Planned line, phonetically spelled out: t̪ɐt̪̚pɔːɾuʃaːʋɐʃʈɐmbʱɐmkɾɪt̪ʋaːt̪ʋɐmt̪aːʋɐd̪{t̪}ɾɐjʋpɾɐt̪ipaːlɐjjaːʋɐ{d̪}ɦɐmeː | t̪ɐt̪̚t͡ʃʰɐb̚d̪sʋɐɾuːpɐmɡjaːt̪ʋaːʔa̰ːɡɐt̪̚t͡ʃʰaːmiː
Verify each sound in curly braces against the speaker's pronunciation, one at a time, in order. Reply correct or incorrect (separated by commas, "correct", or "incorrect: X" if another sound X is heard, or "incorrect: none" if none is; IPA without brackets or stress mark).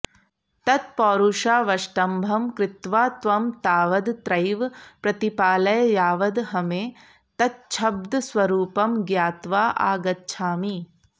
correct, correct